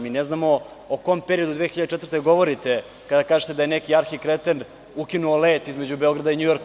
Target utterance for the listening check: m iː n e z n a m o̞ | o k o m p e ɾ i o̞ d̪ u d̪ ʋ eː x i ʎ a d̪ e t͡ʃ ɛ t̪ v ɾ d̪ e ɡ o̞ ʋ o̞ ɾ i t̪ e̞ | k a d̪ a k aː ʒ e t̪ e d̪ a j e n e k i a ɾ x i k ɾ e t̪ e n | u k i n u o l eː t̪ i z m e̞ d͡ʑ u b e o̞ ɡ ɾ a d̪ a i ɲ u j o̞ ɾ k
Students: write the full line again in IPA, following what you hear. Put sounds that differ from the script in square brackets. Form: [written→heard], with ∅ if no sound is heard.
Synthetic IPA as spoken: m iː n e z n a m o̞ | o k o m p e ɾ i o̞ d̪ u d̪ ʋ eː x i ʎ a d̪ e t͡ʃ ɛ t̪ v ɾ [d̪→t̪] e ɡ o̞ ʋ o̞ ɾ i t̪ e̞ | k a d̪ a k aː ʒ e t̪ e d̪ a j e n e k i a ɾ x i k ɾ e t̪ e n | u k i n u o l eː t̪ i z m e̞ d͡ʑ u b e o̞ ɡ ɾ a d̪ a i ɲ u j o̞ ɾ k

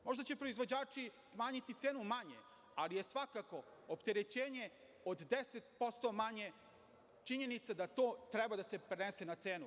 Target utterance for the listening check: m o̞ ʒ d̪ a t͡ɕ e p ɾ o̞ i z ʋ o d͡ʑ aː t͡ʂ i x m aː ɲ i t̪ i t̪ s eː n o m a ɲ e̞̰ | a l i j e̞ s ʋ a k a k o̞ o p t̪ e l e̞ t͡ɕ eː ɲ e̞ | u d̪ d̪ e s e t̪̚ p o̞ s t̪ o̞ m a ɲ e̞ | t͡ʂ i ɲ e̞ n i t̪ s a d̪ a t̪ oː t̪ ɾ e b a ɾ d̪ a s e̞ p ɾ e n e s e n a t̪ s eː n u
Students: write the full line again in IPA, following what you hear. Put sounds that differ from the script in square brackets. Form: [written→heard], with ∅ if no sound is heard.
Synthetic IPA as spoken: m o̞ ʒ d̪ a t͡ɕ e p ɾ o̞ i z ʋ o d͡ʑ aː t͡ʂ i [x→s] m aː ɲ i t̪ i t̪ s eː n [o→u] m a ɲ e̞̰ | a l i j e̞ s ʋ a k a k o̞ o p t̪ e [l→ɾ] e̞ t͡ɕ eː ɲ e̞ | [u→o] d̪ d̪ e s e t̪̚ p o̞ s t̪ o̞ m a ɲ e̞ | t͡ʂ i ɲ e̞ n i t̪ s a d̪ a t̪ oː t̪ ɾ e b a [ɾ→∅] d̪ a s e̞ p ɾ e n e s e n a t̪ s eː n u

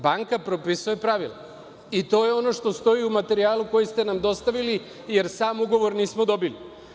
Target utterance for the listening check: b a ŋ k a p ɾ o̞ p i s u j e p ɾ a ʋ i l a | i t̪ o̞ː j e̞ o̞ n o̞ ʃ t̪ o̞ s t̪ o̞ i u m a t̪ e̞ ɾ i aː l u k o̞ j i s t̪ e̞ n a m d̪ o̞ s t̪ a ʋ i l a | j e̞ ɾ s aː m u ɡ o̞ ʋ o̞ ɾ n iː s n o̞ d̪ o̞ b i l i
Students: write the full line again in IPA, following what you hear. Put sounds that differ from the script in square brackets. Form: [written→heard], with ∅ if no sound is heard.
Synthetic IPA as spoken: b a ŋ k a p ɾ o̞ p i s u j e p ɾ a ʋ i l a | i t̪ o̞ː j e̞ o̞ n o̞ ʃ t̪ o̞ s t̪ o̞ i u m a t̪ e̞ ɾ i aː l u k o̞ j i s t̪ e̞ n a m d̪ o̞ s t̪ a ʋ i l [a→i] | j e̞ ɾ s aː m u ɡ o̞ ʋ o̞ ɾ n iː s [n→m] o̞ d̪ o̞ b i l i

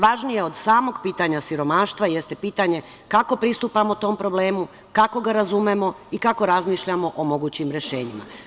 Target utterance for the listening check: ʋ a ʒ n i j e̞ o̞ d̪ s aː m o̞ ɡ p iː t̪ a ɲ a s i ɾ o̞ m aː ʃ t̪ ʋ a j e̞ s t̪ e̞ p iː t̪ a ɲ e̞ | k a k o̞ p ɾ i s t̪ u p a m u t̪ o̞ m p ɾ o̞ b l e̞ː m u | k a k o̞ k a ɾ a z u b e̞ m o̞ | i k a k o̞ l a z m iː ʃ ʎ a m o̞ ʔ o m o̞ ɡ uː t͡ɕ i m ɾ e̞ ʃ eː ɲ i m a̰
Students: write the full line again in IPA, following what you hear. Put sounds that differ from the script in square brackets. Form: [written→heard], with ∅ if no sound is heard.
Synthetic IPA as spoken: ʋ a ʒ n i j e̞ o̞ d̪ s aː m o̞ ɡ p iː t̪ a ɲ a s i ɾ o̞ m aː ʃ t̪ ʋ a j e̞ s t̪ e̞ p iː t̪ a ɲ e̞ | k a k o̞ p ɾ i s t̪ u p a m [u→o] t̪ o̞ m p ɾ o̞ b l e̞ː m u | k a k o̞ [k→ɡ] a ɾ a z u [b→m] e̞ m o̞ | i k a k o̞ [l→ɾ] a z m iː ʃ ʎ a m o̞ ʔ o m o̞ ɡ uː t͡ɕ i m ɾ e̞ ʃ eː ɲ i m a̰

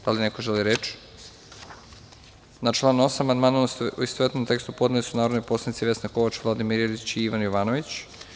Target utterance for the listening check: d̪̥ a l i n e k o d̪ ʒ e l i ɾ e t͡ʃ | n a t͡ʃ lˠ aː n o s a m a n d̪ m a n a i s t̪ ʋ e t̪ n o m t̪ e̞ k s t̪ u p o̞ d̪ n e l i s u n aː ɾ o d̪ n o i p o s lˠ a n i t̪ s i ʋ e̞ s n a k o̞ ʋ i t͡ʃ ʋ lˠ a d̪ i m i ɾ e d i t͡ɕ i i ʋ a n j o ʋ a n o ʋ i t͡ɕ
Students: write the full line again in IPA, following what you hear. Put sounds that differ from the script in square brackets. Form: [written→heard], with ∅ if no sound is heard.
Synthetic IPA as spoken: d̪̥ a l i n e k o [d̪→∅] ʒ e l i ɾ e t͡ʃ | n a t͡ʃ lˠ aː n o s a m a n d̪ m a n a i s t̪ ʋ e t̪ n o m t̪ e̞ k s t̪ u p o̞ d̪ n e l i s u n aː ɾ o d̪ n o [i→j] p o s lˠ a n i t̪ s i ʋ e̞ s n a k o̞ ʋ [i→a] t͡ʃ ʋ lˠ a d̪ i m i ɾ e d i t͡ɕ i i ʋ a n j o ʋ a n o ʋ i t͡ɕ

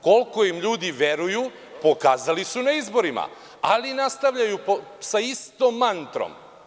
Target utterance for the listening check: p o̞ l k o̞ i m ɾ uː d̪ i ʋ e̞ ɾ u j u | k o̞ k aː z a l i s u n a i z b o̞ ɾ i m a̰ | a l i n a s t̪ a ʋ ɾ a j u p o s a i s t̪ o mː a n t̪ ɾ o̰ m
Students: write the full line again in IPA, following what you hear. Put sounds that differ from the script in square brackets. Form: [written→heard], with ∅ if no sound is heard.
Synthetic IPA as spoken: [p→k] o̞ l k o̞ i m [ɾ→ʎ] uː d̪ i ʋ e̞ ɾ u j u | [k→p] o̞ k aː z a l i s u n a i z b o̞ ɾ i m a̰ | a l i n a s t̪ a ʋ [ɾ→ʎ] a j u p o s a i s t̪ o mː a n t̪ ɾ o̰ m

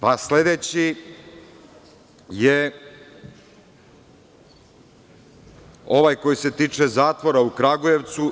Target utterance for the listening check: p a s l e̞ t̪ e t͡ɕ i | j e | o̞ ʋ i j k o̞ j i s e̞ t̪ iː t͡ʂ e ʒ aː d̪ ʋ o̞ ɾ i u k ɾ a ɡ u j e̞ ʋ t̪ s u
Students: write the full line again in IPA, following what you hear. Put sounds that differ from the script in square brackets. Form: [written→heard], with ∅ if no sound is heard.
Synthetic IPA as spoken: p a s l e̞ [t̪→d̪] e t͡ɕ i | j e | o̞ ʋ [i→a] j k o̞ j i s e̞ t̪ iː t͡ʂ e [ʒ→z] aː [d̪→t̪] ʋ o̞ ɾ [i→a] u k ɾ a ɡ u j e̞ ʋ t̪ s u

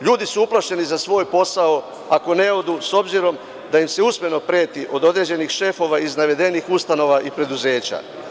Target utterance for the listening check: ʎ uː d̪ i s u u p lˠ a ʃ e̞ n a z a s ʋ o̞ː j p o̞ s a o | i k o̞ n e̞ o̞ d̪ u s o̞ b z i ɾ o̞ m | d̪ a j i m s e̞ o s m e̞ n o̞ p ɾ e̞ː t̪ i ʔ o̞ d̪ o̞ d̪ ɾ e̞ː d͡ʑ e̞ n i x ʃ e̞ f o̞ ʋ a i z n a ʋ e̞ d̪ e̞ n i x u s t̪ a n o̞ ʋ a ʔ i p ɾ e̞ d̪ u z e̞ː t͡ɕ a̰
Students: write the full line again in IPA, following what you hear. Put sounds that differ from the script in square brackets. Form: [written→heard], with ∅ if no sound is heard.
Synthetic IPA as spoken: ʎ uː d̪ i s u u p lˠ a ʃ e̞ n [a→i] z a s ʋ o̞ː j p o̞ s a o | [i→a] k o̞ n e̞ o̞ d̪ u s o̞ b z i ɾ o̞ m | d̪ a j i m s e̞ [o→u] s m e̞ n o̞ p ɾ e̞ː t̪ i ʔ o̞ d̪ o̞ d̪ ɾ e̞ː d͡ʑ e̞ n i x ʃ e̞ f o̞ ʋ a i z n a ʋ e̞ d̪ e̞ n i x u s t̪ a n o̞ ʋ a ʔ i p ɾ e̞ d̪ u z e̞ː t͡ɕ a̰

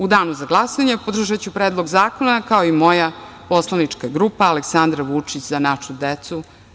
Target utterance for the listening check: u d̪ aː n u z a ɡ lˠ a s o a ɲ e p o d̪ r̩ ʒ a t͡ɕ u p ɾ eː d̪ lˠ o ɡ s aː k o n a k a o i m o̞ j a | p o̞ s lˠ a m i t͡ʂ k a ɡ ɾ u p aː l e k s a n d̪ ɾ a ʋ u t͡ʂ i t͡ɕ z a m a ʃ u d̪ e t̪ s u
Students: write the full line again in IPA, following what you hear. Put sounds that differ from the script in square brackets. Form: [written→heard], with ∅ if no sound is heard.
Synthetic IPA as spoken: u d̪ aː n u z a ɡ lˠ a s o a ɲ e p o d̪ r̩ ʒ a t͡ɕ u p ɾ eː d̪ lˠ o ɡ [s→z] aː k o n a k a o i m o̞ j a | p o̞ s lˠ a [m→n] i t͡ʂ k a ɡ ɾ u p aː l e k s a n d̪ ɾ a ʋ u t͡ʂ i t͡ɕ z a [m→n] a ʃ u d̪ e t̪ s u

